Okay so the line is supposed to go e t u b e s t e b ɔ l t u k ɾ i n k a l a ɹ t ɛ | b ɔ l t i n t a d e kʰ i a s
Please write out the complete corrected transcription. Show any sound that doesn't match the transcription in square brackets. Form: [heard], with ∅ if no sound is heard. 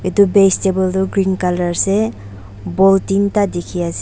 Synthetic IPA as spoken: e t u b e s t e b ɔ l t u [ɡ] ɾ i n k a l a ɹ [s] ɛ | b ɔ l t i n t a d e kʰ i a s